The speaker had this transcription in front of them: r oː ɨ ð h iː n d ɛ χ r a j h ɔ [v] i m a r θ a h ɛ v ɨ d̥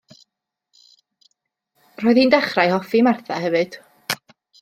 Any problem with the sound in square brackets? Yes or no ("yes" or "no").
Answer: yes